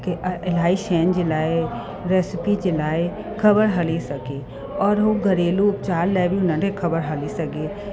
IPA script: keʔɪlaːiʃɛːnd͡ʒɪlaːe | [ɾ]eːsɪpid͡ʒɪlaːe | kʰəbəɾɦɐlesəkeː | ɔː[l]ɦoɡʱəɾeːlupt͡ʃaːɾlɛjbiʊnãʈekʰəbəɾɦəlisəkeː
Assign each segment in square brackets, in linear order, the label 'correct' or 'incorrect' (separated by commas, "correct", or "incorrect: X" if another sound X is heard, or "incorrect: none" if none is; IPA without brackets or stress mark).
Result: correct, incorrect: ɾ